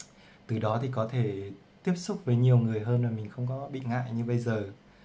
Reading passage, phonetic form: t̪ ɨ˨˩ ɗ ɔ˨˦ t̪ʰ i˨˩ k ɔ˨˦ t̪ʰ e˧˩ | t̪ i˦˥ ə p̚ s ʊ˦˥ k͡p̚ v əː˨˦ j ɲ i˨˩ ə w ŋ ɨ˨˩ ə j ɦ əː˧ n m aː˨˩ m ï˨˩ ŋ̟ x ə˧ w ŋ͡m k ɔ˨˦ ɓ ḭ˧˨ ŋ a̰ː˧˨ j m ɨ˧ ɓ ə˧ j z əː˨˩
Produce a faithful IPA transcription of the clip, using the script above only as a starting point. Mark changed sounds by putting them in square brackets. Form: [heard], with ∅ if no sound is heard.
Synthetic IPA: t̪ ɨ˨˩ ɗ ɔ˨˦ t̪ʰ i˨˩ k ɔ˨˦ t̪ʰ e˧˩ | t̪ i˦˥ ə p̚ s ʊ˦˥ k͡p̚ v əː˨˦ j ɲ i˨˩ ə w ŋ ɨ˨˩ ə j ɦ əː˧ n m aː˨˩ m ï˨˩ ŋ̟ x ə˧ w ŋ͡m k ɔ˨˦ ɓ ḭ˧˨ ŋ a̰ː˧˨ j [ɲ] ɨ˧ ɓ ə˧ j z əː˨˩